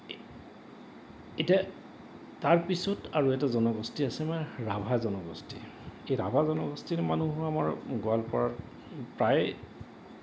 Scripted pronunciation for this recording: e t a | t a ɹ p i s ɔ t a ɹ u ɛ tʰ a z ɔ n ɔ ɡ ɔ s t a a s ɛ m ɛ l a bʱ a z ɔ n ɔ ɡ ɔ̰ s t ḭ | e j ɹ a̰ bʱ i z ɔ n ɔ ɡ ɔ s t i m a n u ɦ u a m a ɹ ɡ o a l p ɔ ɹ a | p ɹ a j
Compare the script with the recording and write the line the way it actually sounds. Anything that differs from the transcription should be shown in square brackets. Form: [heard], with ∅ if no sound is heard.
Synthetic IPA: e t a | t a ɹ p i s ɔ t a ɹ u ɛ [t] a z ɔ n ɔ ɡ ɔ s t [i] a s ɛ m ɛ [ɹ] a bʱ a z ɔ n ɔ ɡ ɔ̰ s t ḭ | e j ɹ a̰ bʱ [a] z ɔ n ɔ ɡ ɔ s t i m a n u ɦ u a m a ɹ ɡ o a l p ɔ ɹ a | p ɹ a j